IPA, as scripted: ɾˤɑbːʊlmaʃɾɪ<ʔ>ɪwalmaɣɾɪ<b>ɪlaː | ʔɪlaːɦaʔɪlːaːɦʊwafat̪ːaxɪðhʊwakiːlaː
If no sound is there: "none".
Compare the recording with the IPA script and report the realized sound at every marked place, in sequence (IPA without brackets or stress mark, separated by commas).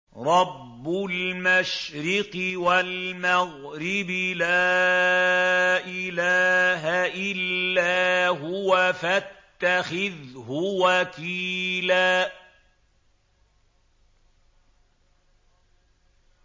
q, b